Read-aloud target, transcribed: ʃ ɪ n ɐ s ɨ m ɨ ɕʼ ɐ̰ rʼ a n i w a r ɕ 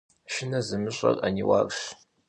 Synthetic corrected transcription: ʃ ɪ n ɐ z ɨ m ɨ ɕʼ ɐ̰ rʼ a n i w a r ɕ